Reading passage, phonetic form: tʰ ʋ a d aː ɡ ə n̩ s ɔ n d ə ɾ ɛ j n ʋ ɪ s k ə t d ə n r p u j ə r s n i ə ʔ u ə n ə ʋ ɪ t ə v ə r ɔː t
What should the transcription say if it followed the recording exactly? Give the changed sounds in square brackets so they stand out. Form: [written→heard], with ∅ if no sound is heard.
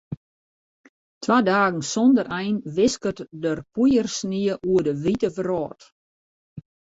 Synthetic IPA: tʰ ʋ a d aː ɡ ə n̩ s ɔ n d ə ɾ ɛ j n ʋ ɪ s k ə t d ə [n→∅] r p u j ə r s n i ə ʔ u ə [n→d] ə ʋ [ɪ→i] t ə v ə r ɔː t